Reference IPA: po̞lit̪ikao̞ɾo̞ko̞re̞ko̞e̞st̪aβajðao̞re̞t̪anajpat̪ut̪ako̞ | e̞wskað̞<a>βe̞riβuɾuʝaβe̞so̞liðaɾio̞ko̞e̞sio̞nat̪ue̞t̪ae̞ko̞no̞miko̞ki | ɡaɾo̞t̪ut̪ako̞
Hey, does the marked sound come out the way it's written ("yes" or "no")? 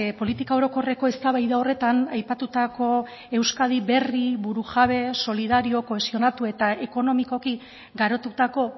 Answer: no